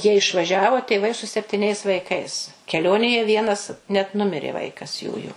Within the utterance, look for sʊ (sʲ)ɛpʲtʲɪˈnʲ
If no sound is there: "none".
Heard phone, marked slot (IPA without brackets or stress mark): sʲ